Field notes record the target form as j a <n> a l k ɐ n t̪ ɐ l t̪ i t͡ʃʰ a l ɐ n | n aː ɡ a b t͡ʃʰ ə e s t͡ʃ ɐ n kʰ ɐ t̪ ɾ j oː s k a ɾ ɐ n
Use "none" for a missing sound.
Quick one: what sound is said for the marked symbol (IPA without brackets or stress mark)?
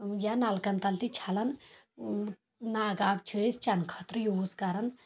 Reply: n